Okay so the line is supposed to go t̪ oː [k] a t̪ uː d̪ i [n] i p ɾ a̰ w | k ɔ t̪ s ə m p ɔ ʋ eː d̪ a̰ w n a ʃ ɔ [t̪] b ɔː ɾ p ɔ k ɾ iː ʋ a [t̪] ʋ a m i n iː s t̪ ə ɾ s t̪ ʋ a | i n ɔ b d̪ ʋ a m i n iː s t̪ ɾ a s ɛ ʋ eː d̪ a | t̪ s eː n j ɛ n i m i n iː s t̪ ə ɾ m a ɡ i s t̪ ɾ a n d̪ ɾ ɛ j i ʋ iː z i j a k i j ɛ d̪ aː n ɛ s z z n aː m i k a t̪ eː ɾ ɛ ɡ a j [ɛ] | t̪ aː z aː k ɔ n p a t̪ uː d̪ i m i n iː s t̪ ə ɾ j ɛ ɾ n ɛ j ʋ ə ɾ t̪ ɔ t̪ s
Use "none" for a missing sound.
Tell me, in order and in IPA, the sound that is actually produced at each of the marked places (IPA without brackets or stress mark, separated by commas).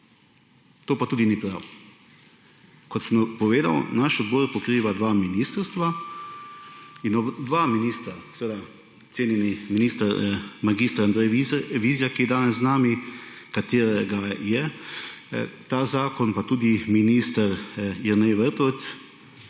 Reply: p, n, d̪, d̪, ɛ